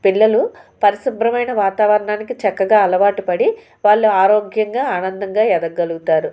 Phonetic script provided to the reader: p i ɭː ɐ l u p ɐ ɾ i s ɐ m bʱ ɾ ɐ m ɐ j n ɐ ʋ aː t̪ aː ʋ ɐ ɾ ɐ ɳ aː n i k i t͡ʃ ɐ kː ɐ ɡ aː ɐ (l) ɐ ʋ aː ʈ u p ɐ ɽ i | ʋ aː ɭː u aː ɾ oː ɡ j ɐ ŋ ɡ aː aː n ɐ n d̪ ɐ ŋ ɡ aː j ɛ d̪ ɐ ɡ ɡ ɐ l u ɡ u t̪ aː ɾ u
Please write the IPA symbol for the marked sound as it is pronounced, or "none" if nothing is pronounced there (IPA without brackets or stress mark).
l